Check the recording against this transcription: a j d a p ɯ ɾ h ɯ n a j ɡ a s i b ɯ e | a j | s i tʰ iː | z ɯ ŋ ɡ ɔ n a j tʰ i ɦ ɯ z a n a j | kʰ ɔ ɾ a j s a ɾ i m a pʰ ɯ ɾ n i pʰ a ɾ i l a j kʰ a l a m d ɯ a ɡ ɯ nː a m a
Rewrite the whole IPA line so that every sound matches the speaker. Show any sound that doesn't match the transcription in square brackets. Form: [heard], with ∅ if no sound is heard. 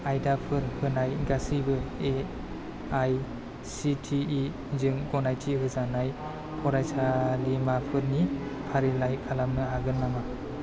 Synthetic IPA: a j d a [pʰ] ɯ ɾ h ɯ n a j ɡ a s i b ɯ e | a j | s i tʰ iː | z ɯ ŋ ɡ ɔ n a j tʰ i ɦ ɯ z a n a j | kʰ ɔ ɾ a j s a [l] i m a pʰ ɯ ɾ n i pʰ a ɾ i l a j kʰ a l a m [n] ɯ a ɡ ɯ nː a m a